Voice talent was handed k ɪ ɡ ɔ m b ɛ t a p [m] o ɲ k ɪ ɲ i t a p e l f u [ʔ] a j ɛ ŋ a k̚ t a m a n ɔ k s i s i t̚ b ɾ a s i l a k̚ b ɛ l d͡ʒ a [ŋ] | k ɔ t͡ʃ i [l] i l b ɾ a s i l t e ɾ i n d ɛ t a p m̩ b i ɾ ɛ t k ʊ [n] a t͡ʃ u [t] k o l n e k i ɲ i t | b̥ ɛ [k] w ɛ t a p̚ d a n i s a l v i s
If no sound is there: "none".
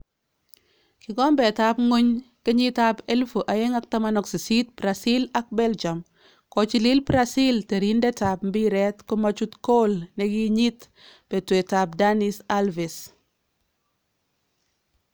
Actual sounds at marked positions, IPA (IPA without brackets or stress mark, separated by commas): ŋ, ʔ, m, l, m, t, t